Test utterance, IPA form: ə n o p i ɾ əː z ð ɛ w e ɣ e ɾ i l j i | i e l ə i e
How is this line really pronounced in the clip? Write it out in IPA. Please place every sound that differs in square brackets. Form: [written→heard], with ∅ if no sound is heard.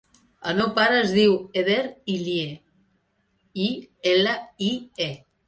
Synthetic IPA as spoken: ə n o p [i→a] ɾ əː z ð [ɛ→i] w e [ɣ→ð] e ɾ i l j [i→e] | i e l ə i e